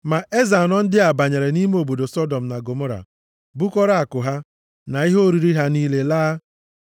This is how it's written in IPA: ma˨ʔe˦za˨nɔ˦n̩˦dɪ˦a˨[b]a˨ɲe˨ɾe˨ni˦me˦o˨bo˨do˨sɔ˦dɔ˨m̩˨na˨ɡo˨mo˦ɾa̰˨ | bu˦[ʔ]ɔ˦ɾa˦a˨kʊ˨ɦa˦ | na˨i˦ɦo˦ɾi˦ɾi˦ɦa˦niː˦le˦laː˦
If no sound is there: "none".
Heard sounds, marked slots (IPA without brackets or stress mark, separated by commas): b, k